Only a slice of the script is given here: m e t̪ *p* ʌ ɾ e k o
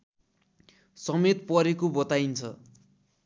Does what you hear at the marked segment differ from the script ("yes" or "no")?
no